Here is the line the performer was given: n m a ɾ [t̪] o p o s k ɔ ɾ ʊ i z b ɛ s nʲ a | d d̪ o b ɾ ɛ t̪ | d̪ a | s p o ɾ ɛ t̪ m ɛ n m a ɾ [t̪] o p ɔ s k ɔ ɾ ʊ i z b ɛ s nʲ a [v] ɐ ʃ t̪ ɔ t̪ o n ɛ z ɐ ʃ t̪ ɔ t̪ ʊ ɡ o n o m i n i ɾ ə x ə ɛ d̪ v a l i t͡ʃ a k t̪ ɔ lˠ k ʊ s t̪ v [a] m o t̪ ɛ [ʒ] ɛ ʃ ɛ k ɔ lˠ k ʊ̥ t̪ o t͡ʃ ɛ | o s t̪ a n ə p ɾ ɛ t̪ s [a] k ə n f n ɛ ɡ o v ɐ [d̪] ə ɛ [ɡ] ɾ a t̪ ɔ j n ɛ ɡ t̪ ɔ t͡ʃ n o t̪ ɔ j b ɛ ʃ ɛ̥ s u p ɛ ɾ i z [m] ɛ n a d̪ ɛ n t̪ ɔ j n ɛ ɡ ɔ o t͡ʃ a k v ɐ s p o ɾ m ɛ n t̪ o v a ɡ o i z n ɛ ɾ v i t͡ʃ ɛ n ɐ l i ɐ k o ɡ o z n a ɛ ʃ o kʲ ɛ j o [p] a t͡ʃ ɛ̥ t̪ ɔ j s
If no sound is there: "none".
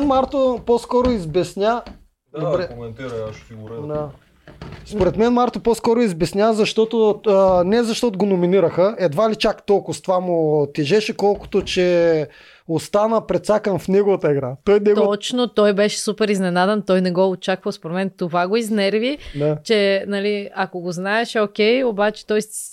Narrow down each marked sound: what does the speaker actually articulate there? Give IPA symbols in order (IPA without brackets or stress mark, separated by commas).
t̪, t̪, z, a, ʒ, a, t̪, ɡ, n, b